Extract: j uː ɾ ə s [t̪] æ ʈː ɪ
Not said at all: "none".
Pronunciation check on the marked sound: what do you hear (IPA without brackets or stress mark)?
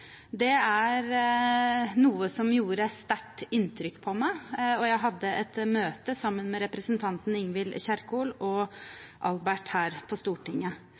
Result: t̪